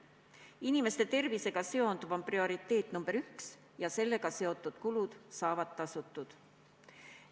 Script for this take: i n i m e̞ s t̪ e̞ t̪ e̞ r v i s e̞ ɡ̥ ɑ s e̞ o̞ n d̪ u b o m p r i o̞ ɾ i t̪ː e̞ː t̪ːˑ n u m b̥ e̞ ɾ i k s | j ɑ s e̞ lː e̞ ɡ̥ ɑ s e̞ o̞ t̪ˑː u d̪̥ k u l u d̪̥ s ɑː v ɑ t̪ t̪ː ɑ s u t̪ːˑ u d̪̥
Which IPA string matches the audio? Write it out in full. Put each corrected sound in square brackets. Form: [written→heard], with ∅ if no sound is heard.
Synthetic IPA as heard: i n i m e̞ s t̪ e̞ t̪ e̞ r v i s e̞ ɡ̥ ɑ s e̞ o̞ n d̪ u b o m p r i o̞ ɾ i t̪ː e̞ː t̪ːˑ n u m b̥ e̞ ɾ [i→y] k s | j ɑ s e̞ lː e̞ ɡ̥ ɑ s e̞ o̞ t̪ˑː u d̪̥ k u l u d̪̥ s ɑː v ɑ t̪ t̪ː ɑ s u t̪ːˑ u d̪̥